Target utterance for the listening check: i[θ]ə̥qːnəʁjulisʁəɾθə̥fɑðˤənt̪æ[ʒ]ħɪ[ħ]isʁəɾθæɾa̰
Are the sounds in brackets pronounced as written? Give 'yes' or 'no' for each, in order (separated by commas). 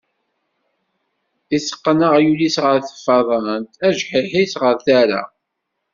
no, yes, yes